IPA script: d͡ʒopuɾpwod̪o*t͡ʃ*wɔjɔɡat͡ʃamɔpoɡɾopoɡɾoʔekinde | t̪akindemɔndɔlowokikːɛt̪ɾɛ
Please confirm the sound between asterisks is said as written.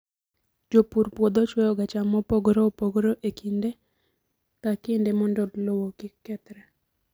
yes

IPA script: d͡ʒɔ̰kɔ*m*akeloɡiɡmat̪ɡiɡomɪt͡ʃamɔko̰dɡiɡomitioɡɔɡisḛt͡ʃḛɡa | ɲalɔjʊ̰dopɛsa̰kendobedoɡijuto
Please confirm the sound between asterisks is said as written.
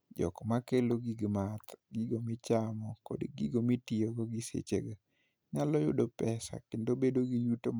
yes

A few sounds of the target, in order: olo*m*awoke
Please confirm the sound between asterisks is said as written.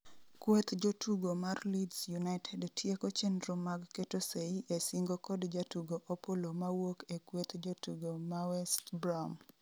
yes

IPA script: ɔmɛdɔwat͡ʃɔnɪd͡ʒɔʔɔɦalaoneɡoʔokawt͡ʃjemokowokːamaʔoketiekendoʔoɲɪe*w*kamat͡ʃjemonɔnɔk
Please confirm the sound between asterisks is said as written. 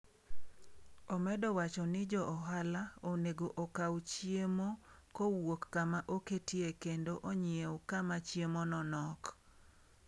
yes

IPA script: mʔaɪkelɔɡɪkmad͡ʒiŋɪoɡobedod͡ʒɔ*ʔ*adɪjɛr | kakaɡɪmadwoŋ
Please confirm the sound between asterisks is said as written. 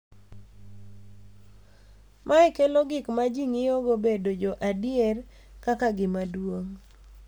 yes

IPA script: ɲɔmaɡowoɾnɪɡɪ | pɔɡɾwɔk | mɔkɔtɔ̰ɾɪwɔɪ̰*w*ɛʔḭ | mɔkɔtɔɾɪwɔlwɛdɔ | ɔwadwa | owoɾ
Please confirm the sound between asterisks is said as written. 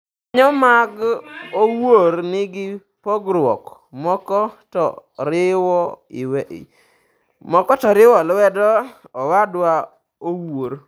yes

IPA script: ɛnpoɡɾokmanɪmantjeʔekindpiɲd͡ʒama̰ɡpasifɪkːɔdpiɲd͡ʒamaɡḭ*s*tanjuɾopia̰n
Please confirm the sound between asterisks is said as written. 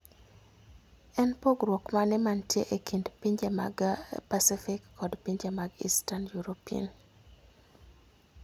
yes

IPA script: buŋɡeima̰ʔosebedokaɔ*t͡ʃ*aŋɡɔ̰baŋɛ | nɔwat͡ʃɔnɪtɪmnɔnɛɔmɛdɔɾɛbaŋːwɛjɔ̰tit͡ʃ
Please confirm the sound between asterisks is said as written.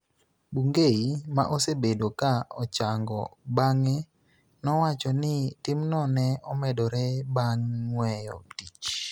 yes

